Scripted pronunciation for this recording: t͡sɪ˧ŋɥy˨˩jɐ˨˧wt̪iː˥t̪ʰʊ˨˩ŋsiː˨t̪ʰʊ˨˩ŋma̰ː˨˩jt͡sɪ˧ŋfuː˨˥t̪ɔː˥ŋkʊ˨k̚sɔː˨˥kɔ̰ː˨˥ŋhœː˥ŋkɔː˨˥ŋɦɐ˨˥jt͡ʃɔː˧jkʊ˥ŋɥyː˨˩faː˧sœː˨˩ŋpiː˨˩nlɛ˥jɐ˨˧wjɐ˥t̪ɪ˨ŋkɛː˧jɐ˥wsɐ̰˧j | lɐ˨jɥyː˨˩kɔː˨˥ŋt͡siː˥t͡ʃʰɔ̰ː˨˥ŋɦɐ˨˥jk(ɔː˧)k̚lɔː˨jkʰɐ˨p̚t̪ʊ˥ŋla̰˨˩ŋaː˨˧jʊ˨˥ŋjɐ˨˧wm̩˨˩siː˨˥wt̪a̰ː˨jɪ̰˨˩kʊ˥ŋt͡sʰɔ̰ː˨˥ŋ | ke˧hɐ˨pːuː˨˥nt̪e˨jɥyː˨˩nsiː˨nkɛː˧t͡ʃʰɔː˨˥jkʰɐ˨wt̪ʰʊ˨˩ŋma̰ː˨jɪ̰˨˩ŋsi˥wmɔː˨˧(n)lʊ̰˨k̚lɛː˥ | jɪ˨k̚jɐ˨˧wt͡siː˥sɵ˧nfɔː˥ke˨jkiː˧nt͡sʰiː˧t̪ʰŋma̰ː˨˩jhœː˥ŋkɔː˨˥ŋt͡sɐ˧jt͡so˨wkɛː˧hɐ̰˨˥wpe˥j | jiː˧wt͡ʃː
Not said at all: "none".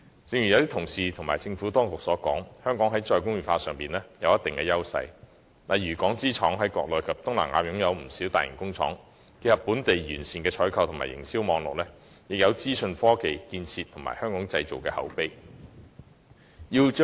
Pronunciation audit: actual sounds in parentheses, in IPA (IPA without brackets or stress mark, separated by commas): ɔː˧, ŋ